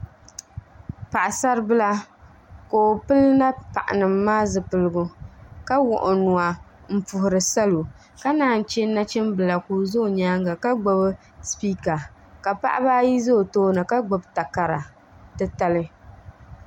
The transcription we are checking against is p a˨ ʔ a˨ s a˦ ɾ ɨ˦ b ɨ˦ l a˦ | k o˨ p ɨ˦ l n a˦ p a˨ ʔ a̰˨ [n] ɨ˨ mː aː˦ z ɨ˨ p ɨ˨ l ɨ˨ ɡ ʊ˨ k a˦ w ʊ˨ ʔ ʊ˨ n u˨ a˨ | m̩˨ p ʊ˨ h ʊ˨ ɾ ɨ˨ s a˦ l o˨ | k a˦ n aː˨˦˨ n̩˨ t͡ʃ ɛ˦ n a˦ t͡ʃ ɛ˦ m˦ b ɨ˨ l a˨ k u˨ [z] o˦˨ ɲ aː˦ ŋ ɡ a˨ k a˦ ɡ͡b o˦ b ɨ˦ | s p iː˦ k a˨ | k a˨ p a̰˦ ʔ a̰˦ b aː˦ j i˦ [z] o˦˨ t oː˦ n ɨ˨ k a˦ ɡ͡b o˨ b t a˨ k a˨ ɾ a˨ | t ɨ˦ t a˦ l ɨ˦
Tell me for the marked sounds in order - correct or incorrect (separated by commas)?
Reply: correct, correct, correct